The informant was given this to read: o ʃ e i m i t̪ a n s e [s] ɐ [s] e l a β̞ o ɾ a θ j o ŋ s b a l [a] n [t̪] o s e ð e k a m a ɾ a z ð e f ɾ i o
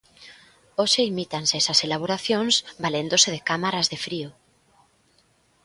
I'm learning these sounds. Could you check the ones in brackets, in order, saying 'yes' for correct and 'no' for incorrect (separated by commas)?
yes, yes, no, no